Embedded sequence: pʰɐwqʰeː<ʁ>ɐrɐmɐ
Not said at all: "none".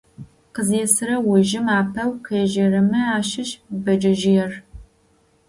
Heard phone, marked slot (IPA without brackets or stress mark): ʒ